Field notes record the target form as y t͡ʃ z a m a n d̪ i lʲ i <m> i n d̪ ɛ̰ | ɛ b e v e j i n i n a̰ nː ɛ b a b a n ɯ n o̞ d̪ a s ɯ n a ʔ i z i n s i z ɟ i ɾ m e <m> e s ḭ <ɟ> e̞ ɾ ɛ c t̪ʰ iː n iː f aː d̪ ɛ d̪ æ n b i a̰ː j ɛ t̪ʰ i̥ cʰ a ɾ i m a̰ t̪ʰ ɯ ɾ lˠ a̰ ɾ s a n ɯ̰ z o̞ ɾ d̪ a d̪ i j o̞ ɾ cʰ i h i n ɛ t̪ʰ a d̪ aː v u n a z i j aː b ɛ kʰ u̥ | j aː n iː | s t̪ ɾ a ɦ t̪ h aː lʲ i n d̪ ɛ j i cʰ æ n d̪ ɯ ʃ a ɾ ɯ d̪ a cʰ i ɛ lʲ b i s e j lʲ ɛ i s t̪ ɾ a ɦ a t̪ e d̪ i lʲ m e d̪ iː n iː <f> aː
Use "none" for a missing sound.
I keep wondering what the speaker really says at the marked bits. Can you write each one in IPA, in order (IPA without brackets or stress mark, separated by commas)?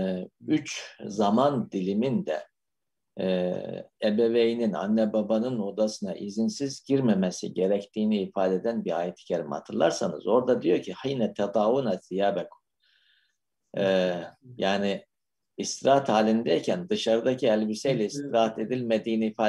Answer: m, m, ɟ, f